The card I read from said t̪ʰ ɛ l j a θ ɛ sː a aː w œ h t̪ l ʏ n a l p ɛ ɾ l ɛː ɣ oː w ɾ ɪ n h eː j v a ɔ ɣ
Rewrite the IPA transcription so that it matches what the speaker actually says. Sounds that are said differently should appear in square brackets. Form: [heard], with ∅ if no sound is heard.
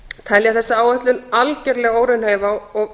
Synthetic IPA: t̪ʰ ɛ l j a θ ɛ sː a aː w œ h t̪ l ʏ n a l [c] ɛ ɾ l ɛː ɣ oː w ɾ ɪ n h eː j v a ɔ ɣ